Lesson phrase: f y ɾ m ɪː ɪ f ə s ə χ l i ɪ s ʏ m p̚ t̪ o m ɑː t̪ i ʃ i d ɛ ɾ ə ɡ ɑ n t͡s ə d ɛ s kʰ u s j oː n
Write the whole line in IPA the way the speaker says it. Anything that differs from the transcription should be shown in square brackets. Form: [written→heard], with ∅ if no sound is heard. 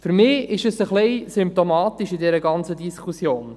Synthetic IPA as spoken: f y ɾ m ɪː ɪ [f→ʃ] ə s ə χ l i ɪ s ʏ m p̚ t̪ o m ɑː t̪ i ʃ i d ɛ ɾ ə ɡ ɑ n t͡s ə d [ɛ→i] s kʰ u s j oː n

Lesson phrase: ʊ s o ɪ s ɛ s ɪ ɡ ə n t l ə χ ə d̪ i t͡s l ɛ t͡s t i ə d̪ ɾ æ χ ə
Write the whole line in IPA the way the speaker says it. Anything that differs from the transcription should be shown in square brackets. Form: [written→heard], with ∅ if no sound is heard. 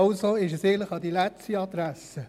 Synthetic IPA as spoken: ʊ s o ɪ [s→ʃ] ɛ s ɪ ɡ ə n t l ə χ [ə→ɑ] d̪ i [t͡s→∅] l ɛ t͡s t i [ə→ɑ] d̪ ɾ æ [χ→s] ə

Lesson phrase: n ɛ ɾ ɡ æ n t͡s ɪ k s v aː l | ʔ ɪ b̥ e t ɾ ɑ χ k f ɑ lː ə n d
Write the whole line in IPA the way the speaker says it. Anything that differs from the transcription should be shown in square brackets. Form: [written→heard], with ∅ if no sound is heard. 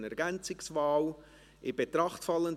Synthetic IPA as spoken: n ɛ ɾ ɡ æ n t͡s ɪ k s v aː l | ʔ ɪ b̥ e t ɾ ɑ χ [k→t] f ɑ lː ə n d

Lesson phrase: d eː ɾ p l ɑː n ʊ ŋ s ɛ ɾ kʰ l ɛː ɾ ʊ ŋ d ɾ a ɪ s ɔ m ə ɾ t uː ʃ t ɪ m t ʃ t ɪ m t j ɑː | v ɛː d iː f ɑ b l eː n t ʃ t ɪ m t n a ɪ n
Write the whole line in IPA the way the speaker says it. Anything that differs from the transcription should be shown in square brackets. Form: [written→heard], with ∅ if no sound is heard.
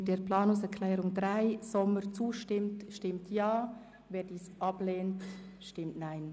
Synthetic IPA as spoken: d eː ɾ p l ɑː n ʊ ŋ s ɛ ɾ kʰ l ɛː ɾ ʊ ŋ d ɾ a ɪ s ɔ m ə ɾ [t→t͡s] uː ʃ t ɪ m t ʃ t ɪ m t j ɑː | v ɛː d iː [f→s] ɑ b l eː n t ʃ t ɪ m t n a ɪ n

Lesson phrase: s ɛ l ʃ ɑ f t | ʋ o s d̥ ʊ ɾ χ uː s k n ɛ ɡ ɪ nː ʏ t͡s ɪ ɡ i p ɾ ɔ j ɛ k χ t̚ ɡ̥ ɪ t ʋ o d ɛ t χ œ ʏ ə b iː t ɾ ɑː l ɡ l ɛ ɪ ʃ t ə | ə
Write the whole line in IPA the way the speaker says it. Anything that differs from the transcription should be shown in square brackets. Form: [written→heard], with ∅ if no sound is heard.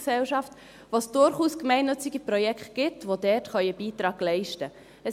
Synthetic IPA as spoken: s ɛ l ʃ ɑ f t | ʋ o s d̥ ʊ ɾ χ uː s k [n→m] ɛ [ɡ→∅] ɪ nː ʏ t͡s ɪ ɡ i p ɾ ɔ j ɛ k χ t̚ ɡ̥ ɪ t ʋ o d ɛ t χ œ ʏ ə b iː t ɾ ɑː [l→∅] ɡ l ɛ ɪ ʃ t ə | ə

